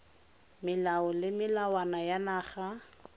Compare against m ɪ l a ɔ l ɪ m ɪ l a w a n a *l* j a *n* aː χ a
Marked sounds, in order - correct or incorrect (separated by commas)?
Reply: incorrect, correct